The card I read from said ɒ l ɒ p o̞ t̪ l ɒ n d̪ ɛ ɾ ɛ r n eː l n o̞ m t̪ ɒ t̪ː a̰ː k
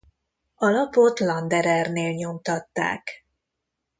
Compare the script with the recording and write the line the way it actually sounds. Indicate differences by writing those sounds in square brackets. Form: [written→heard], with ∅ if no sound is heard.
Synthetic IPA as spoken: ɒ l ɒ p o̞ t̪ l ɒ n d̪ ɛ ɾ ɛ r n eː l [n→ɲ] o̞ m t̪ ɒ t̪ː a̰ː k